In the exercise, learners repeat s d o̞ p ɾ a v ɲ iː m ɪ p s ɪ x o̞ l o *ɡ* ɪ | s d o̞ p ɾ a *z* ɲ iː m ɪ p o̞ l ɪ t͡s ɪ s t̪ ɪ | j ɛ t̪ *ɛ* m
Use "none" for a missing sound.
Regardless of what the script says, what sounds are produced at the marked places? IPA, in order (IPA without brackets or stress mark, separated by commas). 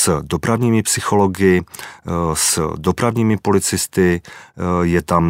ɡ, v, a